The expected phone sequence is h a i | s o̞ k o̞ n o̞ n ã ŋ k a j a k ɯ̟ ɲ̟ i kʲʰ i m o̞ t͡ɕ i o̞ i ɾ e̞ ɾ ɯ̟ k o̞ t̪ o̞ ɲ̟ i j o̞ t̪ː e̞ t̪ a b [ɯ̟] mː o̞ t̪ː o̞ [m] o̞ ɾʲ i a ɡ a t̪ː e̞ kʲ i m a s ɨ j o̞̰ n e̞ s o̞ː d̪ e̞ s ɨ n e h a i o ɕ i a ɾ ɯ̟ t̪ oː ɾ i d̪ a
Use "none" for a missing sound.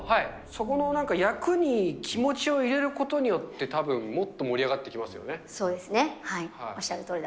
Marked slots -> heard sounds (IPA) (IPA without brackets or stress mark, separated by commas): ɯ̟̃, m